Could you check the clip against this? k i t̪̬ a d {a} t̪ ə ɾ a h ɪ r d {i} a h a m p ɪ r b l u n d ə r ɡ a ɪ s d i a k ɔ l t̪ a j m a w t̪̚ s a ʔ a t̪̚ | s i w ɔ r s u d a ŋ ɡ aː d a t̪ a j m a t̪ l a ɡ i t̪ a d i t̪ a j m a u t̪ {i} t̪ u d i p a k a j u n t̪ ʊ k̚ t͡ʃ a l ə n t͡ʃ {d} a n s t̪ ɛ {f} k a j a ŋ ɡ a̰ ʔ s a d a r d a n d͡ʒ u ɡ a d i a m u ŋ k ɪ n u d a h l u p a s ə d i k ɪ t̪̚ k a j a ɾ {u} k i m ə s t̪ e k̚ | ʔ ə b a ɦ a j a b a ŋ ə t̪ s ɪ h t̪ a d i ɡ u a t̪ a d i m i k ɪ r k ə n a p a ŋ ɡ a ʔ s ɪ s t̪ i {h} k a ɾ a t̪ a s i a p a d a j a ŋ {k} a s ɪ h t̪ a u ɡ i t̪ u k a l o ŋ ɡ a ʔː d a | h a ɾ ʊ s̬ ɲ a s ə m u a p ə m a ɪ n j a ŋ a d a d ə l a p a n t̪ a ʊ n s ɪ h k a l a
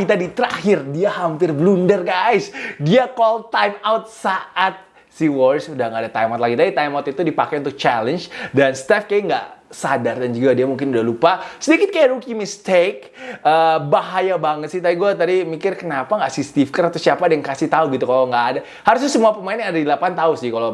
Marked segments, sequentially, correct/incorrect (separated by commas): incorrect, correct, correct, correct, correct, correct, incorrect, correct